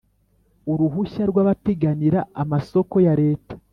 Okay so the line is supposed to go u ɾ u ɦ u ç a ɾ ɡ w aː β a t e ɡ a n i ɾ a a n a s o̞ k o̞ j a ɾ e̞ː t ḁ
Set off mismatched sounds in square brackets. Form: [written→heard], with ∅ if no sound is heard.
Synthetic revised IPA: u ɾ u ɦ u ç a ɾ ɡ w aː β a t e ɡ a n i ɾ a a [n→m] a s o̞ k o̞ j a ɾ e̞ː t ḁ